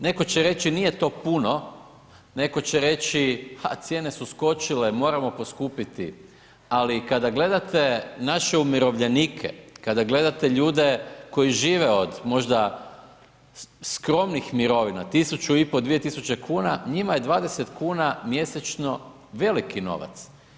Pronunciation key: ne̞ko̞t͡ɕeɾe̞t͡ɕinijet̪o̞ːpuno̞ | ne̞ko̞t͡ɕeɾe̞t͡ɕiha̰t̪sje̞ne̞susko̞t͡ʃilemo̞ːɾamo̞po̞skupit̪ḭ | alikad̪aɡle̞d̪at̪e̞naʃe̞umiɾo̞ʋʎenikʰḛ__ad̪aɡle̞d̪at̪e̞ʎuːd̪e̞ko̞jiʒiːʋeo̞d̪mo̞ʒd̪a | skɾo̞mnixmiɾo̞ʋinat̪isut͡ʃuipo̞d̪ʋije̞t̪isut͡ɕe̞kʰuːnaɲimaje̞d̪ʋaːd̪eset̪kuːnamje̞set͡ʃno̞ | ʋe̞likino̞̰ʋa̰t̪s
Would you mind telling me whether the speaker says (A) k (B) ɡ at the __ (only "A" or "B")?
A